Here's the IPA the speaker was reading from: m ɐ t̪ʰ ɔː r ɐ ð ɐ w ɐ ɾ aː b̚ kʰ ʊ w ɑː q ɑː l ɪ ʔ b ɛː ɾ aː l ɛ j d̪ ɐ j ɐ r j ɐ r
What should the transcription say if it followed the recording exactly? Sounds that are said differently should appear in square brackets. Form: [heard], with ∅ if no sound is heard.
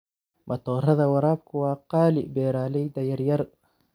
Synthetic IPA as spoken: m ɐ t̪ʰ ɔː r ɐ ð ɐ w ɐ ɾ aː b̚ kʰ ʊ w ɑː q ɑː l ɪ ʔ b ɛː ɾ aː l ɛ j d̪ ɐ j ɐ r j ɐ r